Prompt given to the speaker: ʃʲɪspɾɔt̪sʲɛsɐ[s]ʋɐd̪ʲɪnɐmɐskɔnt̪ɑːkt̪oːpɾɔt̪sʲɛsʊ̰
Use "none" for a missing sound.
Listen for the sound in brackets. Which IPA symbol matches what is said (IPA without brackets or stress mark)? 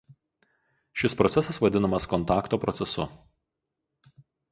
s